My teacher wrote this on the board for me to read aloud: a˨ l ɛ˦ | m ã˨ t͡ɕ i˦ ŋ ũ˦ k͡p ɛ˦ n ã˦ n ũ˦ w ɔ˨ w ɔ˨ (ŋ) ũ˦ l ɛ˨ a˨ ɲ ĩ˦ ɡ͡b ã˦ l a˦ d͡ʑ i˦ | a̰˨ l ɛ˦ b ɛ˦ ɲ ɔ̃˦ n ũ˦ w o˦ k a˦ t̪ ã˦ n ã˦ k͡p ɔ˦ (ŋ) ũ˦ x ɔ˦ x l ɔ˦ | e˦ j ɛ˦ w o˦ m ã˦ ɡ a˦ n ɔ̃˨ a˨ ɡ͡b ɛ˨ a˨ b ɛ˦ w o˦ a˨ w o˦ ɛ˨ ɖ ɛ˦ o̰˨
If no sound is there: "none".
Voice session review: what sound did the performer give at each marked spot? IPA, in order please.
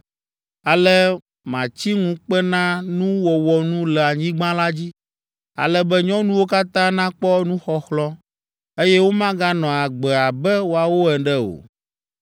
n, n

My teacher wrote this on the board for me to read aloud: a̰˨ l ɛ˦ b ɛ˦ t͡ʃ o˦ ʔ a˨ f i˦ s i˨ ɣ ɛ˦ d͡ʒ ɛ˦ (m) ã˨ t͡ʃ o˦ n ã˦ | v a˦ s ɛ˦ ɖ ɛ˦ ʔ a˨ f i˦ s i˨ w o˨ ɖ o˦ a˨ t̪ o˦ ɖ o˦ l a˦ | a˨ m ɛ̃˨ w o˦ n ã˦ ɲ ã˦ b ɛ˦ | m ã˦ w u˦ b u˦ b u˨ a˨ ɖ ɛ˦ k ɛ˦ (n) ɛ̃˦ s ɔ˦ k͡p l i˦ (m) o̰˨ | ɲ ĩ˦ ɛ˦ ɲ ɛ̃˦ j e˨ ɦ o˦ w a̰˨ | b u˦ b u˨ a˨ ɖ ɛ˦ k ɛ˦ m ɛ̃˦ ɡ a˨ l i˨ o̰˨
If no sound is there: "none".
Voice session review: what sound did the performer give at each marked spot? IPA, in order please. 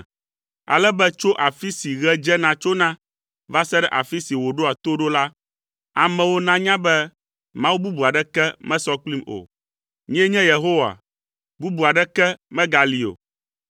n, m, m

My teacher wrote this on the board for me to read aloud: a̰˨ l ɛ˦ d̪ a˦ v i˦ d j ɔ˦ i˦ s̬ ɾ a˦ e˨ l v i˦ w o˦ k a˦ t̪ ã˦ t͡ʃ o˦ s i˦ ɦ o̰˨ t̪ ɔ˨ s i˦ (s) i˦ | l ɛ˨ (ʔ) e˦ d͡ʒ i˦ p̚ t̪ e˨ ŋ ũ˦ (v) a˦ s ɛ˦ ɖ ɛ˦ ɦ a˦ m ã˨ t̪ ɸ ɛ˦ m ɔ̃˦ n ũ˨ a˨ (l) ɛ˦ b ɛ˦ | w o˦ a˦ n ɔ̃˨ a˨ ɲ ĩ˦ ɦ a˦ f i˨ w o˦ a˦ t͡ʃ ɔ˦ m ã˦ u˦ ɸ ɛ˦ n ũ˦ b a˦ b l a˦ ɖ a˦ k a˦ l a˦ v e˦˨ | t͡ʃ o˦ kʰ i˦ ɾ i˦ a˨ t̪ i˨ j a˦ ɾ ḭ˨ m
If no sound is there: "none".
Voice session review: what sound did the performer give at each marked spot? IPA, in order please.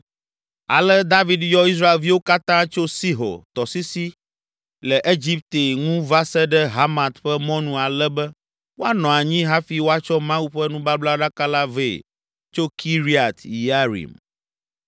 s, ʔ, v, l

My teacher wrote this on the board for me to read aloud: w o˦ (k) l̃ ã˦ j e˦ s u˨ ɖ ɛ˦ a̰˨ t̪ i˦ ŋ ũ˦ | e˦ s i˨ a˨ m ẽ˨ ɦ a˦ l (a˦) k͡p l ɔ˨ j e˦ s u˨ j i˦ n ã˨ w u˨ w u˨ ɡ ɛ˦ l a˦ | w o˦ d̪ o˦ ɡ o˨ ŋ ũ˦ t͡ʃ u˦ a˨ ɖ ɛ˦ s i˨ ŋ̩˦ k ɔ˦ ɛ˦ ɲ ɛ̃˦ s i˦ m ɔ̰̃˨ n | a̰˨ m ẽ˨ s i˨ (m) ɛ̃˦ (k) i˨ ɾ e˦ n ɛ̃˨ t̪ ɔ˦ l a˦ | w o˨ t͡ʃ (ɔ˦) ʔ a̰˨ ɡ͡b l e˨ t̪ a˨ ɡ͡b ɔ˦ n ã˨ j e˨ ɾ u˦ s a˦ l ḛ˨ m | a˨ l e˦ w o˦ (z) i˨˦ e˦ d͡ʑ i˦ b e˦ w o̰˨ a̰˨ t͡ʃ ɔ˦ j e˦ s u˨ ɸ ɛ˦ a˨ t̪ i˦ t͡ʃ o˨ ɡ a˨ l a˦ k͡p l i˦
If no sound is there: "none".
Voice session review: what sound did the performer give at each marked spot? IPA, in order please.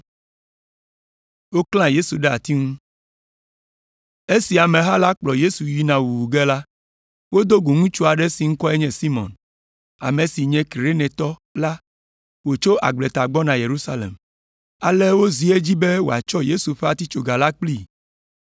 k, a˦, ɲ, k, o˦, z

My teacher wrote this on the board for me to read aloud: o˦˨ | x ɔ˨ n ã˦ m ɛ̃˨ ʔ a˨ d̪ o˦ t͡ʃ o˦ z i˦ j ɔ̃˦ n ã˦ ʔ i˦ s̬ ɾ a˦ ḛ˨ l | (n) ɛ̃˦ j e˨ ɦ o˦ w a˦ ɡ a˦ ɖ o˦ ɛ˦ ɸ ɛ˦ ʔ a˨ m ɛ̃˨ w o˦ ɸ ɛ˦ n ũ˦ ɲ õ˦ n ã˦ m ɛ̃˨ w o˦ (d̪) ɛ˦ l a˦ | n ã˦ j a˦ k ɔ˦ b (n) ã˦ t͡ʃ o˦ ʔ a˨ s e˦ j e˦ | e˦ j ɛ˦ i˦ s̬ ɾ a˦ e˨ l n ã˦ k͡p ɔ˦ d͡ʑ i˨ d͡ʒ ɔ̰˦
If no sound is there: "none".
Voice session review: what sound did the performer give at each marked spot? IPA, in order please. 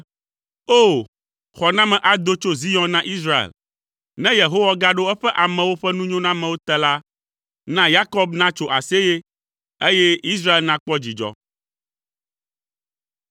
n, t̪, n

